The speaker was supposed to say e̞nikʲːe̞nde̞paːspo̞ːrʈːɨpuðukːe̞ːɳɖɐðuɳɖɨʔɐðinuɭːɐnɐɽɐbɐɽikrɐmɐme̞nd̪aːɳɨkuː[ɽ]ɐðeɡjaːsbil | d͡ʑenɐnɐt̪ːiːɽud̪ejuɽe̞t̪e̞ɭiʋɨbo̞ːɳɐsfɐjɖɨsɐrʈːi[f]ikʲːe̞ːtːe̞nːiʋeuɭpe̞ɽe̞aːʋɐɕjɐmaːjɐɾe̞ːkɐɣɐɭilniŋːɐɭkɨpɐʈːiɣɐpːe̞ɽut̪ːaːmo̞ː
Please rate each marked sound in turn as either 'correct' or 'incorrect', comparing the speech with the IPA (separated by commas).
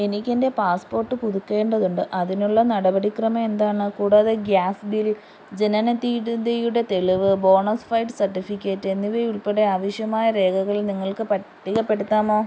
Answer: correct, correct